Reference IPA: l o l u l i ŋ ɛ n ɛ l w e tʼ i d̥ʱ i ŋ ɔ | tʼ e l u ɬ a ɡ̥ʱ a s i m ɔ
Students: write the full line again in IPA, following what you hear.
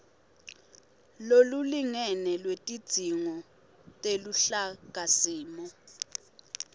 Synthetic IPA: l o l u l i ŋ ɛ n ɛ l w e tʼ i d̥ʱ i ŋ ɔ | tʼ e l u ɬ a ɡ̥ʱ a s iː m ɔ